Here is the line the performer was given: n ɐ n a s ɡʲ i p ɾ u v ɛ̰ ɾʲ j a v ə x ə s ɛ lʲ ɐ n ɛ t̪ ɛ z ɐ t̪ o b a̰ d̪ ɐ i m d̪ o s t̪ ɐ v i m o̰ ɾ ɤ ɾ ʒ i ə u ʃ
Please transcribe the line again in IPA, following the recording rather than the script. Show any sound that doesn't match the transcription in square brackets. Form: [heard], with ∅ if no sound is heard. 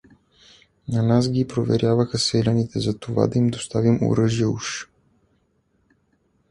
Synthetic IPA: n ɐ n a s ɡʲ i p ɾ [o] v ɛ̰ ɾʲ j a v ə x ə s ɛ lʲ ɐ n [i] t̪ ɛ z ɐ t̪ o [v] a̰ d̪ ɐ i m d̪ o s t̪ [a] v i m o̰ ɾ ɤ [∅] ʒ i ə u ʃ